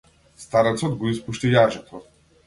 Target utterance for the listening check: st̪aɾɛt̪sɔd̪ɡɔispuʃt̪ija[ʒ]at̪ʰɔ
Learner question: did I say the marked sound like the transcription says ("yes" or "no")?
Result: yes